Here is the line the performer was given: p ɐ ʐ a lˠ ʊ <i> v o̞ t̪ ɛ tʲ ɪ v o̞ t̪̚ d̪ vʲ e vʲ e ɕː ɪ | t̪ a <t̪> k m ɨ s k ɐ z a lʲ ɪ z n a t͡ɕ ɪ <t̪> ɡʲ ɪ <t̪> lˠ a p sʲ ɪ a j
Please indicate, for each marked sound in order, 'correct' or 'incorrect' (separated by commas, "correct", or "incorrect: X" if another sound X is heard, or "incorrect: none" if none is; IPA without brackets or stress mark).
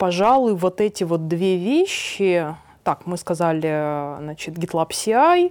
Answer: incorrect: j, incorrect: none, correct, correct